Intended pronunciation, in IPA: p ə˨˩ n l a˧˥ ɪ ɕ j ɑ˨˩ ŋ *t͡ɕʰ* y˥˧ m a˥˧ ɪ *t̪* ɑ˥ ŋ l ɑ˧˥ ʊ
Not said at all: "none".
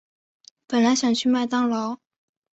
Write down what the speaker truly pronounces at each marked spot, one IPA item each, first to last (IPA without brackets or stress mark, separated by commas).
t͡ɕʰ, t̪